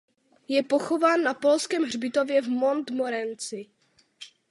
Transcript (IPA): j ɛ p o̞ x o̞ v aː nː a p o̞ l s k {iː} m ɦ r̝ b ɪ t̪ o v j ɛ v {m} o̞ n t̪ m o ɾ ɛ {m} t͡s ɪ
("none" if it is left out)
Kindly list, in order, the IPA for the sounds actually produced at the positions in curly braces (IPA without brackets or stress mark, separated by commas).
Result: ɛː, m, n